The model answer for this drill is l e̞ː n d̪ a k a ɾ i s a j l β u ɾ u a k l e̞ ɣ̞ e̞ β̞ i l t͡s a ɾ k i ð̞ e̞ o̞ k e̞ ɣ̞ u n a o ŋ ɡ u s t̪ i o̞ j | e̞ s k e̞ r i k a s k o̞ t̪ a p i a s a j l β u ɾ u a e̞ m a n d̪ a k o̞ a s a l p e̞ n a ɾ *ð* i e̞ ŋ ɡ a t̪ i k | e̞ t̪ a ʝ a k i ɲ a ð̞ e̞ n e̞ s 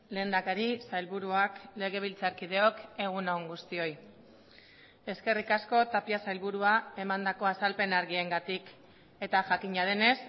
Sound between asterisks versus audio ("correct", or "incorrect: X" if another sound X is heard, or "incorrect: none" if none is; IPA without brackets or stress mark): incorrect: ɣ